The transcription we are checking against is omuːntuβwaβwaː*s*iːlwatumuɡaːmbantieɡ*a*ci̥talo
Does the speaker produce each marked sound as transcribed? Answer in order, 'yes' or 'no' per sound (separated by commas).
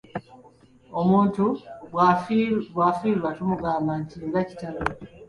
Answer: no, yes